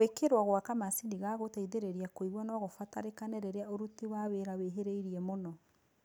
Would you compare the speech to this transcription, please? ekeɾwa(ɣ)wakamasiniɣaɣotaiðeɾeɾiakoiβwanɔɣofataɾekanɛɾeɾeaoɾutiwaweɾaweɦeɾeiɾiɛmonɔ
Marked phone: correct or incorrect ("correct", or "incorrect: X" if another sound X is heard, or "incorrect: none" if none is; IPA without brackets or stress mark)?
correct